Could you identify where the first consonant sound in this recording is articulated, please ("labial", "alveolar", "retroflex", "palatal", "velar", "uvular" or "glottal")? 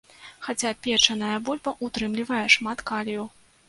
velar